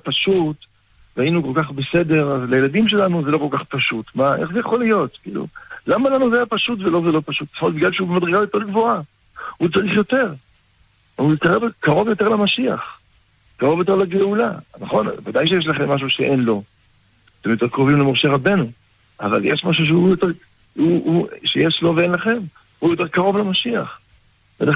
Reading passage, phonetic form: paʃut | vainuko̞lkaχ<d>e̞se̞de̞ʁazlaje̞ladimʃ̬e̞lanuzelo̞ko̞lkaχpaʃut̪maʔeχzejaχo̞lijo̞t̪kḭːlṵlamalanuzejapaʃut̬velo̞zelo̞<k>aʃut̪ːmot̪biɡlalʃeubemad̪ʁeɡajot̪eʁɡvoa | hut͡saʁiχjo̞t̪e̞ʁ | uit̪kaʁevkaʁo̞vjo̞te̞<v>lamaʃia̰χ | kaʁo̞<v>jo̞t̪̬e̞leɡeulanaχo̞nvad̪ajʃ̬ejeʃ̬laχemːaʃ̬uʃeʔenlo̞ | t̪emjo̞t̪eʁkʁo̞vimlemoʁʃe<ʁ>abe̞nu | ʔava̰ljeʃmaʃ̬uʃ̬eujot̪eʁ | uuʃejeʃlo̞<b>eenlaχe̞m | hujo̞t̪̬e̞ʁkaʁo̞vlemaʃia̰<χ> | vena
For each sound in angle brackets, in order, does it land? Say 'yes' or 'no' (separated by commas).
no, no, no, yes, yes, no, yes